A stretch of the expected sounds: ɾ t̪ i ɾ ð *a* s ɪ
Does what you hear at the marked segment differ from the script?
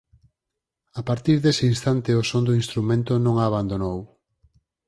yes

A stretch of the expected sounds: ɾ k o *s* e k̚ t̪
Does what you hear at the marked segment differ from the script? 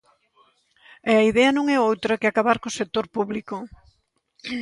no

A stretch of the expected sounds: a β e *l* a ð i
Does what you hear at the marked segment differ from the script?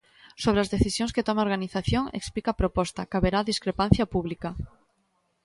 yes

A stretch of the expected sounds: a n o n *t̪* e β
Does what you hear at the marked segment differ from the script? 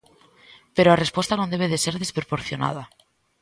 yes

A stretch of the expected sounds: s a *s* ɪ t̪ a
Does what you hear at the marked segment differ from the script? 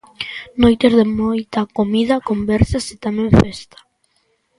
no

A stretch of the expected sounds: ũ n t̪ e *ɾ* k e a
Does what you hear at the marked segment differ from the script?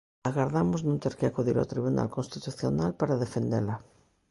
no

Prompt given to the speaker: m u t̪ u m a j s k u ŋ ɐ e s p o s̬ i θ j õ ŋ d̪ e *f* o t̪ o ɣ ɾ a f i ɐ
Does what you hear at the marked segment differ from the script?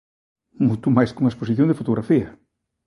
no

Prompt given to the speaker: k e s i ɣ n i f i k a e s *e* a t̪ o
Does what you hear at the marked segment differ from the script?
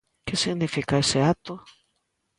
no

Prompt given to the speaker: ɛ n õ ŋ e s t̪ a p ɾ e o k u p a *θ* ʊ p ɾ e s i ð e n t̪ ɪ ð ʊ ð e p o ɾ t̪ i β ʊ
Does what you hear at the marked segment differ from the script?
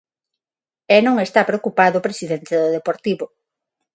yes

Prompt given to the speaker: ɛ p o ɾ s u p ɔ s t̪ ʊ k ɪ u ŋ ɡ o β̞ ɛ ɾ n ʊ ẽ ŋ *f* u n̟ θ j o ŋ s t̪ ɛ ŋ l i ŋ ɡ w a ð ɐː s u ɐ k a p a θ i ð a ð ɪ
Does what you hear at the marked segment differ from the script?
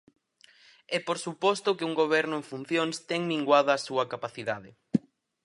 no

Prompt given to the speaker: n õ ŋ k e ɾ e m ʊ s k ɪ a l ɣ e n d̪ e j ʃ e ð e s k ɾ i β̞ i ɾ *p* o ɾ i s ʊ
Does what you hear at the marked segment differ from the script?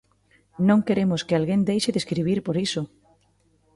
no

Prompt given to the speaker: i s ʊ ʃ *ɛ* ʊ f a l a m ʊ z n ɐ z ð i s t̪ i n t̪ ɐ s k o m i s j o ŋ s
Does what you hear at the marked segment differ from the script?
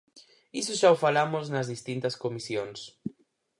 yes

